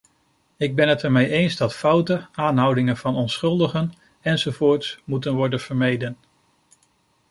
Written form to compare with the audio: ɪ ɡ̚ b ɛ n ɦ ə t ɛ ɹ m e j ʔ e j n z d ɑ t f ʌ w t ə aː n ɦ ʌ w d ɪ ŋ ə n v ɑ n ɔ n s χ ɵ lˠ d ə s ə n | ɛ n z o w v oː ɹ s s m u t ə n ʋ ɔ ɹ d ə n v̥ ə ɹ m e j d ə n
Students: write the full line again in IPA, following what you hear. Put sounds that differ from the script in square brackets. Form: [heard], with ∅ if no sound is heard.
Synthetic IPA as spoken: ɪ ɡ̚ b ɛ n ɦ ə t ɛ ɹ m e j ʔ e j n z d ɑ t f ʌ w t ə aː n ɦ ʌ w d ɪ ŋ ə n v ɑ n ɔ n s χ ɵ lˠ d ə [χ] ə n | ɛ n z o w v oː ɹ [t] s m u t ə n ʋ ɔ ɹ d ə n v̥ ə ɹ m e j d ə n